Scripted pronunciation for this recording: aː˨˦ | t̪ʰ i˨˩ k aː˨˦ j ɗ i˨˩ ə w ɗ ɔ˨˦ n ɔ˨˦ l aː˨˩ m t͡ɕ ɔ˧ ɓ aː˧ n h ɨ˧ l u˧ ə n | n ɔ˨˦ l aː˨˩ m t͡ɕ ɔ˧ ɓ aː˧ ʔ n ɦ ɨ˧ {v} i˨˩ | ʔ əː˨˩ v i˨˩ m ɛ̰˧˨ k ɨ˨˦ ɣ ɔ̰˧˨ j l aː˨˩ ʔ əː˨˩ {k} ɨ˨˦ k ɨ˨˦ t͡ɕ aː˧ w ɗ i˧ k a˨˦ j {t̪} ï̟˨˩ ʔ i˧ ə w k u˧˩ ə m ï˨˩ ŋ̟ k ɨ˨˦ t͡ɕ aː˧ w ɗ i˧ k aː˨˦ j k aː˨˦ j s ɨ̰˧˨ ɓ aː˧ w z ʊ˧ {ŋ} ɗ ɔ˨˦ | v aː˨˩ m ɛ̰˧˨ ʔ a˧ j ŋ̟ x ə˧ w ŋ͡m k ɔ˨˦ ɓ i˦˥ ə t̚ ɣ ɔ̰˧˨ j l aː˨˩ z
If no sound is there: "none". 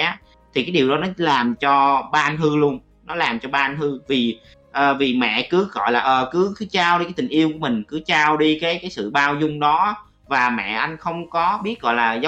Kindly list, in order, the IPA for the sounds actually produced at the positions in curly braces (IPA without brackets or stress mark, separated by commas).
v, k, t̪, ŋ͡m